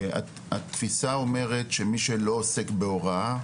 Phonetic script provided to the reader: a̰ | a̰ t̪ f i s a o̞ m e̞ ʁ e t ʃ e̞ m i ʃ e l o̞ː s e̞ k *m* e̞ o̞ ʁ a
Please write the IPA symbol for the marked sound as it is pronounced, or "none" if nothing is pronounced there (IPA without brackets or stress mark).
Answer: b